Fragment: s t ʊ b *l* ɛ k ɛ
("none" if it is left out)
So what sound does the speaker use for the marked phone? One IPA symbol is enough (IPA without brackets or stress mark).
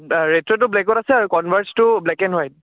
l